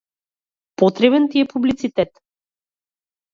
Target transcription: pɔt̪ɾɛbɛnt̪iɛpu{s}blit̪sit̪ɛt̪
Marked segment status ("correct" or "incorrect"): incorrect